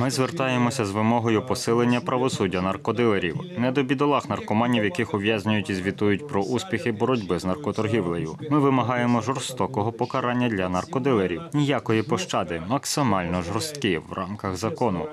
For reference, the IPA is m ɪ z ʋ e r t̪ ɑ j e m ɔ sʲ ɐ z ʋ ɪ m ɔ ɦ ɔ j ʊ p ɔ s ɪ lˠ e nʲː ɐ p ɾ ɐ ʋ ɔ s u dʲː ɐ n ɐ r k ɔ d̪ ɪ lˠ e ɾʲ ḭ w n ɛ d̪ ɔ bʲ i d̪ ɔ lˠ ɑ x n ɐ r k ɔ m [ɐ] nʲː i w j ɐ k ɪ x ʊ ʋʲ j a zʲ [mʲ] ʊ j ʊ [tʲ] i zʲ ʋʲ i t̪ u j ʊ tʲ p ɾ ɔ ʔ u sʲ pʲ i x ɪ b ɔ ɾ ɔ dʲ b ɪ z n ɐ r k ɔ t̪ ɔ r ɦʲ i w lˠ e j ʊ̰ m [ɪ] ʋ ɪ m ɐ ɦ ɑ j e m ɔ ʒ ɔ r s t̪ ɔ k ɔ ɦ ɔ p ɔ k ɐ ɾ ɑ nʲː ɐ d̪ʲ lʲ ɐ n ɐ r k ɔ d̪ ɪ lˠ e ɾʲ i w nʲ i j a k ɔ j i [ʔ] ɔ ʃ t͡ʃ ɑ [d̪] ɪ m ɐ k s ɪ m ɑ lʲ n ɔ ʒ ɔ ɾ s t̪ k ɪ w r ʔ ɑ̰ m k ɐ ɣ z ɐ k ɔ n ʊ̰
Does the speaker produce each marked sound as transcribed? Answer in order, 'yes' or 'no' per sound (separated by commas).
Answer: no, no, yes, yes, no, yes